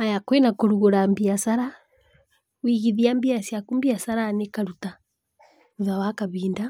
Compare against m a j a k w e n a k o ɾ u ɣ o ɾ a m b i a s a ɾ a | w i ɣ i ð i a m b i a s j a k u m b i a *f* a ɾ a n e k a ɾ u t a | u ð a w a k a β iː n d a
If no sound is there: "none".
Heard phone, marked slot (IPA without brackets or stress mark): s